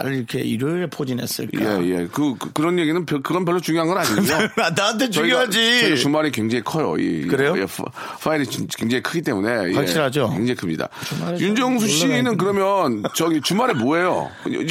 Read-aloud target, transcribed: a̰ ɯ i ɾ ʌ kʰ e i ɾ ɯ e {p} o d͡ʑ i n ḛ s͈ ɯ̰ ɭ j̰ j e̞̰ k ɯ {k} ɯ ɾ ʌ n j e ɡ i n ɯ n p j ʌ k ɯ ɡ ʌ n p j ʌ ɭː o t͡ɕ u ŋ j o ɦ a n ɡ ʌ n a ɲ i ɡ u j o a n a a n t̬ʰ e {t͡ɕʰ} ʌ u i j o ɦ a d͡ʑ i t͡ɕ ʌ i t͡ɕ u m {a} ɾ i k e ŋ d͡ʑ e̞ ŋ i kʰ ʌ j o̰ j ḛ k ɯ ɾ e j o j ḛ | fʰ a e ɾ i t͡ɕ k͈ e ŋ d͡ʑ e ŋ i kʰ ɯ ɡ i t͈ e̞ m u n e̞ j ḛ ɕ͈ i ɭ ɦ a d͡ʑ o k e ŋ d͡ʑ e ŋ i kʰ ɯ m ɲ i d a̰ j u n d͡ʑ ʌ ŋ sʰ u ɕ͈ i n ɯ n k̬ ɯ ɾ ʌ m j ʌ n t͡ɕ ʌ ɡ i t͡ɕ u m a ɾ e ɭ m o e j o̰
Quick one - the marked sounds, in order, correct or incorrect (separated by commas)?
incorrect, correct, incorrect, correct